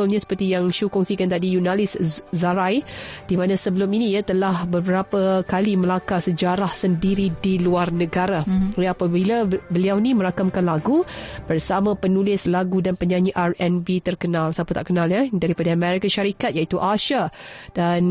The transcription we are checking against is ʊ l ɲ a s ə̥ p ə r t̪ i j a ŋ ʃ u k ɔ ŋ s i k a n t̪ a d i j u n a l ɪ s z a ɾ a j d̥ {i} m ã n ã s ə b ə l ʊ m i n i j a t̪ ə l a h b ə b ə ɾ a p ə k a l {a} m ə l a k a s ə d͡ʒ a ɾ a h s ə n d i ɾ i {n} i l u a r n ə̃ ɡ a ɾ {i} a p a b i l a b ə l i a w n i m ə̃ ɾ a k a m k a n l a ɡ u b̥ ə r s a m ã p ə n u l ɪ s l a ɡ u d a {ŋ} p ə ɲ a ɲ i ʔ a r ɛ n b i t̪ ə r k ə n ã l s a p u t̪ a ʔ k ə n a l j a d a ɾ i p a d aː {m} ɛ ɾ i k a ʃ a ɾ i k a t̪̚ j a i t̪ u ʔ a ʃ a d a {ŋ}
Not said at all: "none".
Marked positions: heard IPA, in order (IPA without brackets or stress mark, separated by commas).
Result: i, i, d, a, n, m, n